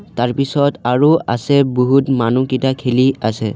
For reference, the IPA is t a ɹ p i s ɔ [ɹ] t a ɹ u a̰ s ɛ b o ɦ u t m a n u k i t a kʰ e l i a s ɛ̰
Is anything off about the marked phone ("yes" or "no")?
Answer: yes